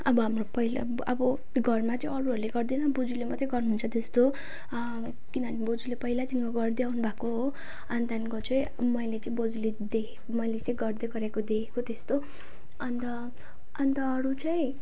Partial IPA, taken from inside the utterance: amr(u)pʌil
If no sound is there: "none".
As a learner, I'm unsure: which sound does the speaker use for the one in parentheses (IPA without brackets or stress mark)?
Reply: o